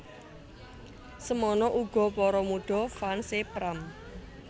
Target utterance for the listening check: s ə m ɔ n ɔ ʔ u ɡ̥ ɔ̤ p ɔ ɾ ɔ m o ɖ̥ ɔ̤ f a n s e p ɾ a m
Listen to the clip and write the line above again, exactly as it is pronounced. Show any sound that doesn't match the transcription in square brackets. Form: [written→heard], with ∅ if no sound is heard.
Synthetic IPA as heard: s ə m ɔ n ɔ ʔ u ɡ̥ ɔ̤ p ɔ ɾ ɔ m [o→u] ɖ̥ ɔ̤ f a n s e p ɾ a m